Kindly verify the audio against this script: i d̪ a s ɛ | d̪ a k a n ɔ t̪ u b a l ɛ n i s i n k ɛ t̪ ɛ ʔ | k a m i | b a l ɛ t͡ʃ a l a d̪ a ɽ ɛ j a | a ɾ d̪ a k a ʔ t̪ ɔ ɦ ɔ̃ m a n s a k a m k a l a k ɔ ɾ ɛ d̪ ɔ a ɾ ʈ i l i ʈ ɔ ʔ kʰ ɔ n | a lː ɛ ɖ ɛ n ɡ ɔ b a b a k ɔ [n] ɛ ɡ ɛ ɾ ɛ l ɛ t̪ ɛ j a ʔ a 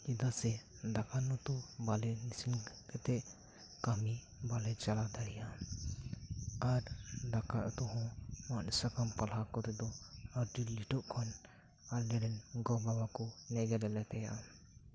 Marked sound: correct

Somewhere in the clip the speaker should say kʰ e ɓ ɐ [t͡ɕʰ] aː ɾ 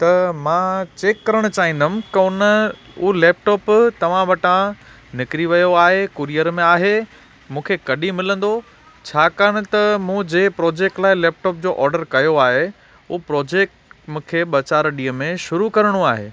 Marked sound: incorrect: t͡ɕ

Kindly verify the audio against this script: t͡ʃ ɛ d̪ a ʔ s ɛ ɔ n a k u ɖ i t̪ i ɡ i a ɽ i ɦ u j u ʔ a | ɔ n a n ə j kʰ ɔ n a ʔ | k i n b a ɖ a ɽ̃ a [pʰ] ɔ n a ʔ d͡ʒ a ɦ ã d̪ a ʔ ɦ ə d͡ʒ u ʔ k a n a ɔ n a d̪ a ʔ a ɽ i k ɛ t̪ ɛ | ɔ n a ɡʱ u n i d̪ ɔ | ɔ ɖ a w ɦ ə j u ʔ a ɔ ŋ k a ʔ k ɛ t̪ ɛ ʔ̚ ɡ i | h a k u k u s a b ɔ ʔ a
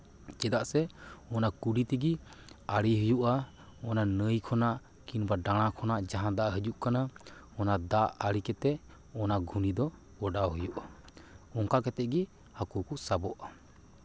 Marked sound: incorrect: kʰ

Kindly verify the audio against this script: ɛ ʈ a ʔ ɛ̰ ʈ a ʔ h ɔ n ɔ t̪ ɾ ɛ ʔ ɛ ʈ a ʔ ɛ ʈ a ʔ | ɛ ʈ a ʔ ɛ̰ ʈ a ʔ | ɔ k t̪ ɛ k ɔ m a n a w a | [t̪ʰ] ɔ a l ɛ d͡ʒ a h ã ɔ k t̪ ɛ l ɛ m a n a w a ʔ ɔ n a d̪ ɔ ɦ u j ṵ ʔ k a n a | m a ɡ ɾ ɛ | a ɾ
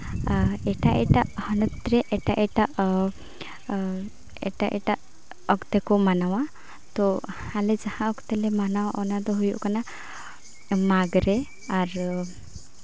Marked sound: incorrect: t̪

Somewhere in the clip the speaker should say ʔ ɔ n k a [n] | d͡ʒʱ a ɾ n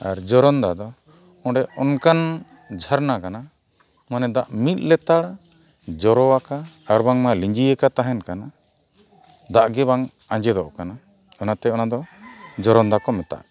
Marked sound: correct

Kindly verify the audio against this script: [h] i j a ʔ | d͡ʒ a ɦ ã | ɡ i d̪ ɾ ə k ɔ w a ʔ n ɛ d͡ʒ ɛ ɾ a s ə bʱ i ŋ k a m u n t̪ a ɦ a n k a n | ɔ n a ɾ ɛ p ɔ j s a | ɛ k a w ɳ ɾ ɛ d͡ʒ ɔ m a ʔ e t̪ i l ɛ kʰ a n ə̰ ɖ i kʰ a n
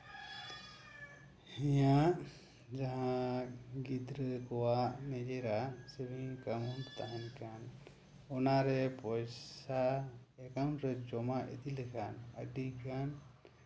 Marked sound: correct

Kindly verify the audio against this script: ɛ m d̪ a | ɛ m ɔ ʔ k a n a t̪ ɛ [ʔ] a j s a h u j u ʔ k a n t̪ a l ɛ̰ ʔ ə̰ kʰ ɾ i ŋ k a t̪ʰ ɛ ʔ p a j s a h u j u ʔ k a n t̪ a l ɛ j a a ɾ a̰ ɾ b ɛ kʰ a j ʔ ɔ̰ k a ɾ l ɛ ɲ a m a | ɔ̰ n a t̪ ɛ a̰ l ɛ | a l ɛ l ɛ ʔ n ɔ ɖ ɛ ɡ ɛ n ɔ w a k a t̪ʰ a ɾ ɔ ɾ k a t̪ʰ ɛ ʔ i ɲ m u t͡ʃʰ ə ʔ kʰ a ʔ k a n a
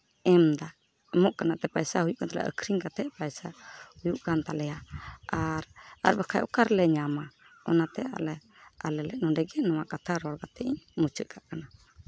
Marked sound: incorrect: p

